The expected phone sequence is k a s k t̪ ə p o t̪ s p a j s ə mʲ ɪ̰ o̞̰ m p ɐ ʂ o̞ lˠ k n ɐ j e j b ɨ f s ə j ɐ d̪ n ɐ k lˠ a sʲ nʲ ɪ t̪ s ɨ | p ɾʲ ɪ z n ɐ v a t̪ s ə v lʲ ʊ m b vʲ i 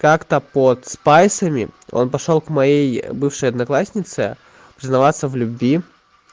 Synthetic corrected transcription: k a k t̪ ə p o t̪ s p a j s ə mʲ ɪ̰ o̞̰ n p ɐ ʂ o̞ lˠ k m ɐ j e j b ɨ f ʂ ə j ɐ d̪ n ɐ k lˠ a sʲ nʲ ɪ t̪ s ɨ | p ɾʲ ɪ z n ɐ v a t̪ s ə v lʲ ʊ b vʲ i